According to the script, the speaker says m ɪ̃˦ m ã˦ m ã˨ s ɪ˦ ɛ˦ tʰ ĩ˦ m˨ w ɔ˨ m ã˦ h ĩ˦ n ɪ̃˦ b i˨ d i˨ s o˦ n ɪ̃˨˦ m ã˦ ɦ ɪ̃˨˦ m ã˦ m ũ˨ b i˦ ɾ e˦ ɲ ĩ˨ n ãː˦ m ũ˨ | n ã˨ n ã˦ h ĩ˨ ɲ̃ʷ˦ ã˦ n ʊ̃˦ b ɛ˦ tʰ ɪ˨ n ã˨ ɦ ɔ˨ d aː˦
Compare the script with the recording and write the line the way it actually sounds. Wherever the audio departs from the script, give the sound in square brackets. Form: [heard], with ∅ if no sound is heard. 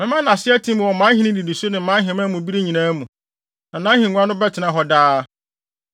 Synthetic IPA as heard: m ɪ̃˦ m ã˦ [n] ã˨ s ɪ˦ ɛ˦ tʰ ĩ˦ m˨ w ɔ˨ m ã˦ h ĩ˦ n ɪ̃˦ [d] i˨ d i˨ s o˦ n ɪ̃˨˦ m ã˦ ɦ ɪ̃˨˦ m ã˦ m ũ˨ b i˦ ɾ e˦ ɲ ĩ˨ n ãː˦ m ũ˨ | n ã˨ n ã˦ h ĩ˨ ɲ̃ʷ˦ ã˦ n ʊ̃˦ b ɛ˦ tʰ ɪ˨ n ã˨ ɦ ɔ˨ d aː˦